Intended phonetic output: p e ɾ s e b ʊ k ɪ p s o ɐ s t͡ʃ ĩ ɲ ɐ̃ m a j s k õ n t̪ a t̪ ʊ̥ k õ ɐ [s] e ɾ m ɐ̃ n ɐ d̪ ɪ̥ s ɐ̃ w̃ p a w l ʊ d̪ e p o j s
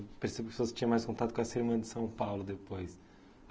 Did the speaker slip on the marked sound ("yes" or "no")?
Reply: no